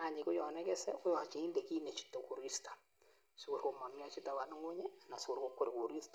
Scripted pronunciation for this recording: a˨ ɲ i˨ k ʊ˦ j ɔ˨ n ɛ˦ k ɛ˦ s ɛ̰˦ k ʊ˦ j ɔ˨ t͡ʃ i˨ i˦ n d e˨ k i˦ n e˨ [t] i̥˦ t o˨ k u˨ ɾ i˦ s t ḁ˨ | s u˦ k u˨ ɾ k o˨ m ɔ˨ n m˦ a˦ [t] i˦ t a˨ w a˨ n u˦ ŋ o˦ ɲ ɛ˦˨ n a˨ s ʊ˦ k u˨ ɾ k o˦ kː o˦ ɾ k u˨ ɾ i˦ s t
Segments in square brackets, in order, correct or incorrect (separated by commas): incorrect, incorrect